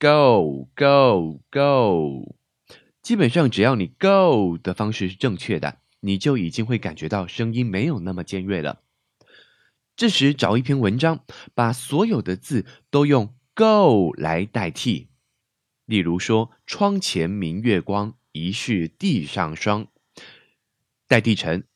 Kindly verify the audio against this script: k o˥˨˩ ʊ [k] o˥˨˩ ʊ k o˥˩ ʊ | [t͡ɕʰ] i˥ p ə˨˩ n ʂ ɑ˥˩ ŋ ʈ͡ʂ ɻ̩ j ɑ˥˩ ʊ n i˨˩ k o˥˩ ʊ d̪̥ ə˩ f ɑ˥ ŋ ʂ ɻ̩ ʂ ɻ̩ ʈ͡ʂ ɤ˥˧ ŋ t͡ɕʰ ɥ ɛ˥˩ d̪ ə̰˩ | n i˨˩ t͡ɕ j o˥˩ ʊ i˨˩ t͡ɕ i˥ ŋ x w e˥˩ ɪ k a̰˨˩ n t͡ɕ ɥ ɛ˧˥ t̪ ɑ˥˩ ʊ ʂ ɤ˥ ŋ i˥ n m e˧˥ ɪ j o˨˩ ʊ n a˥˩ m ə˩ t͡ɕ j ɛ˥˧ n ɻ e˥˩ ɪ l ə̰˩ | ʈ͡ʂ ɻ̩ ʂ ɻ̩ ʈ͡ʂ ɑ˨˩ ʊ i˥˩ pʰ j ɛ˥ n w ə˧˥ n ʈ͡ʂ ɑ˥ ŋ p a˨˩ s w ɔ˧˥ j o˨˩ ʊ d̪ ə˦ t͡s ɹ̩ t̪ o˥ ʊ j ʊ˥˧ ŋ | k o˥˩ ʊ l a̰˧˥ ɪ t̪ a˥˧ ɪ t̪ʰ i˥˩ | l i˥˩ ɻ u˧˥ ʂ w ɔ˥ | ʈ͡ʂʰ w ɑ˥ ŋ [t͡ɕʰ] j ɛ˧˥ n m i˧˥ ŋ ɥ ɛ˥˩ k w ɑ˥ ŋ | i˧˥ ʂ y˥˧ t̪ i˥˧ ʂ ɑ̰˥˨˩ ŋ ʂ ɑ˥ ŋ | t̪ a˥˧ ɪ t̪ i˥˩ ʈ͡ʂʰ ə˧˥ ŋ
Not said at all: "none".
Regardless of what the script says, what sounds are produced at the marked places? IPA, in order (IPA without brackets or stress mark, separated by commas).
k, t͡ɕ, t͡ɕʰ